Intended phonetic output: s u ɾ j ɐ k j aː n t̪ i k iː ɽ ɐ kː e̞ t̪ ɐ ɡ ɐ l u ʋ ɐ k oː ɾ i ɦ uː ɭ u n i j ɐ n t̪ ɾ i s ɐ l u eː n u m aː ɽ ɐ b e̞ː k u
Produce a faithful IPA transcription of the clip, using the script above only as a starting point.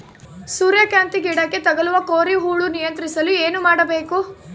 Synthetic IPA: s uː ɾ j ɐ k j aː n t̪ i ɡ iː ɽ ɐ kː e̞ t̪ ɐ ɡ ɐ l u ʋ ɐ k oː ɾ i ɦ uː ɭ u n i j ɐ n t̪ ɾ i s ɐ l u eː n u m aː ɽ ɐ b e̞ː k u